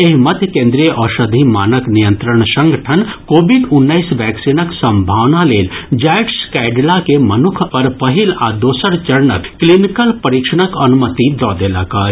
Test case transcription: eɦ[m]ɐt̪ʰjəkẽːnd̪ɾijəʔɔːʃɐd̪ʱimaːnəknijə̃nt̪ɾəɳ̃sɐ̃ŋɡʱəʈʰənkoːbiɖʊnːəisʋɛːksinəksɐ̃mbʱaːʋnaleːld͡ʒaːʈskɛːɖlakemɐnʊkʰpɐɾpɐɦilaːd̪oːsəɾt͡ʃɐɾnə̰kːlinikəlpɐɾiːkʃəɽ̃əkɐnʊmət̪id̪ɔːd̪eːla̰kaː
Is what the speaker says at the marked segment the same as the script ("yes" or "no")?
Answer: yes